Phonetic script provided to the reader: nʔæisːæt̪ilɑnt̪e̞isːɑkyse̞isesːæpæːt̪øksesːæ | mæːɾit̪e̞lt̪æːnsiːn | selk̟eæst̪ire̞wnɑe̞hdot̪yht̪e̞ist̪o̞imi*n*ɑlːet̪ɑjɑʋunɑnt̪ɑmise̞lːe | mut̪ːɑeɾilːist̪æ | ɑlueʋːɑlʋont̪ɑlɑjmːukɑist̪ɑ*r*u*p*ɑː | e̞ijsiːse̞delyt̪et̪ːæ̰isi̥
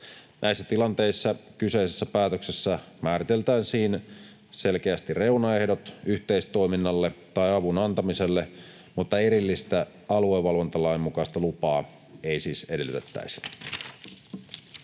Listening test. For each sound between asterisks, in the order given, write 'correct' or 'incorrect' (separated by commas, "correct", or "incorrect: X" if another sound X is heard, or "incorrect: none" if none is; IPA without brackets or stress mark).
incorrect: nː, incorrect: l, correct